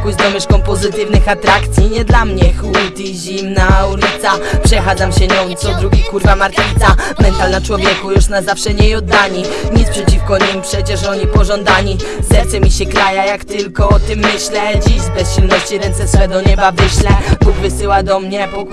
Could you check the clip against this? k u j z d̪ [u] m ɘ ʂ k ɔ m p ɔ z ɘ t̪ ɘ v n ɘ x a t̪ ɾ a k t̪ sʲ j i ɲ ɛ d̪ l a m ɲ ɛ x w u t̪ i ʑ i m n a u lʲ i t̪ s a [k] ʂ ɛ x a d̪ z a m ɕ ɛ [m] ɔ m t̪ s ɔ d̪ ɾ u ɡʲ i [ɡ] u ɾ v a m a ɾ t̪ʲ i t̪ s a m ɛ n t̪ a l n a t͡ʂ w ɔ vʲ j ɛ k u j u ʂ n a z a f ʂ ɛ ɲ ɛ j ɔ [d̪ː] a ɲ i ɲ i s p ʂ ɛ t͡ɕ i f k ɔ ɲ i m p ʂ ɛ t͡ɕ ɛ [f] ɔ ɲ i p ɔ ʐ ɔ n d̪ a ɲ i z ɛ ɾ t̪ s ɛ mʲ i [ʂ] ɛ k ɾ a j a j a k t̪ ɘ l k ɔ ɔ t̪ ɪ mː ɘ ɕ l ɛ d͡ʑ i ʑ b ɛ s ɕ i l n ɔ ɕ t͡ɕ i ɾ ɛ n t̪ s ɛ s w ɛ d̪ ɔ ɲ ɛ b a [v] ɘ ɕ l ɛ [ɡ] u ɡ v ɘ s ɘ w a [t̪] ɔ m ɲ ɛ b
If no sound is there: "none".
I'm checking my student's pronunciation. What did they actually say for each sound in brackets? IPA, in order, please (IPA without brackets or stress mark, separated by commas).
ɔ, p, ɲ, k, d̪ː, ʂ, ɕ, v, b, d̪